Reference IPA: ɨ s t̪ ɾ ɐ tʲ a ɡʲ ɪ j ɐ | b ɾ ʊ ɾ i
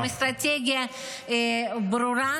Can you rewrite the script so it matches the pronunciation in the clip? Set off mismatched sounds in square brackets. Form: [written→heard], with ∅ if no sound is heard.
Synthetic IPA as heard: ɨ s t̪ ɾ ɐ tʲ [a→e] ɡʲ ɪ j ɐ | b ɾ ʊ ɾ [i→a]